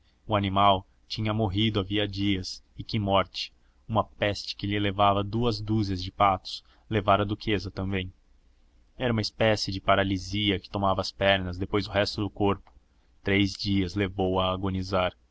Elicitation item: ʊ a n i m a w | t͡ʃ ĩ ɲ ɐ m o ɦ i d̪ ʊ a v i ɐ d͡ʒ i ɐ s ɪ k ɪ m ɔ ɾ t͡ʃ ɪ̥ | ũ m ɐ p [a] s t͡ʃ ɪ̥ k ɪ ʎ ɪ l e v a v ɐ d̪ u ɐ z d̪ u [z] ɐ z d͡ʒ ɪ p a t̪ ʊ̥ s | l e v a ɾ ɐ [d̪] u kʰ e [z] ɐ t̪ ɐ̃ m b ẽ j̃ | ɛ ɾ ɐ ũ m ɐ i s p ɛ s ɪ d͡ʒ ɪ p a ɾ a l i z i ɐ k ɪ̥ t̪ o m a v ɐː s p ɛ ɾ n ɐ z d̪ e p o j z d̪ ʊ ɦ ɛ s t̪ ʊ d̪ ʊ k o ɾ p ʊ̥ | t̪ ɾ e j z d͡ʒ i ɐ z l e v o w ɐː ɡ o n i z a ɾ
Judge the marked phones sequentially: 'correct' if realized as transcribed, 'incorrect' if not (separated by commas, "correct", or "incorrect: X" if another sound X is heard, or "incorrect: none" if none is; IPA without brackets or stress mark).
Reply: incorrect: ɛ, correct, correct, correct